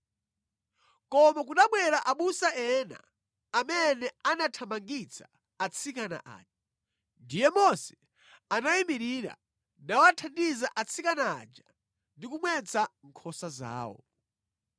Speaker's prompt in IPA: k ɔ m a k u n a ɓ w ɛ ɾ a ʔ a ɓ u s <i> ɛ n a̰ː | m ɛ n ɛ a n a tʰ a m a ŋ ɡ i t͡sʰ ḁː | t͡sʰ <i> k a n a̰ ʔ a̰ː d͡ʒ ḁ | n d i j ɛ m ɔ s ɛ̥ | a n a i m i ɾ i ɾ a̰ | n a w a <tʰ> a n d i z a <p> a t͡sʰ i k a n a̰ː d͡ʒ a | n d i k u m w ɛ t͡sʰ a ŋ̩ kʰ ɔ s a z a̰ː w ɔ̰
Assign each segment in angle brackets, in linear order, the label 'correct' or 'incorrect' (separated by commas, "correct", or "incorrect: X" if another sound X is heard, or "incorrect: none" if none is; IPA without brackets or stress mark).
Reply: incorrect: a, correct, correct, incorrect: ʔ